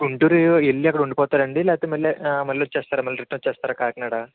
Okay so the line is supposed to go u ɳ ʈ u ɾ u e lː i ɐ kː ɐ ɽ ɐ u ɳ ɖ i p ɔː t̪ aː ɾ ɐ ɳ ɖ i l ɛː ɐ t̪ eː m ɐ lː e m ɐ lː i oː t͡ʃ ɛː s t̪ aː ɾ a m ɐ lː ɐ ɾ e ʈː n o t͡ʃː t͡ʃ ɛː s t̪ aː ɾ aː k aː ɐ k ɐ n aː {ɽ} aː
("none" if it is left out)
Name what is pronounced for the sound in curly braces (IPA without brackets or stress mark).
ɽ